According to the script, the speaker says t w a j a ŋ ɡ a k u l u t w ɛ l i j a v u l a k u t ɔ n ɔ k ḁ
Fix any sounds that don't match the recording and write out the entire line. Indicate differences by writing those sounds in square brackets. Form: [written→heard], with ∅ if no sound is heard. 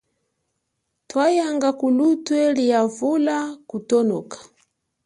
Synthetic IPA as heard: t w a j a ŋ ɡ a k u l u t w ɛ l i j a v u l a k u t ɔ n ɔ k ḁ